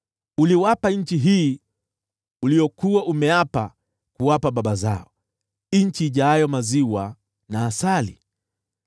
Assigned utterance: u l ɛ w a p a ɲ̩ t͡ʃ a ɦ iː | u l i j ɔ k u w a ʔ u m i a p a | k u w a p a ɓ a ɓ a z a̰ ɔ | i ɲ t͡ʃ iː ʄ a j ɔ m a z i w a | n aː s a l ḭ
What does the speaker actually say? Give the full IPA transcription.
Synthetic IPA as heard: u l i w a p a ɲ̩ t͡ʃ i ɦ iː | u l i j ɔ k u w a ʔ u m ɛ a p a | k u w a p a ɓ a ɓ a z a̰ ɔ | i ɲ t͡ʃ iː ʄ a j ɔ m a z i w a | n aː s a l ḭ